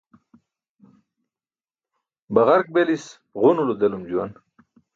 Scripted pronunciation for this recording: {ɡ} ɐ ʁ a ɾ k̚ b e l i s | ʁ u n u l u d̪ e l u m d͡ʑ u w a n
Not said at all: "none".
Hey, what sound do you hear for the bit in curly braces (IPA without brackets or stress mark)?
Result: b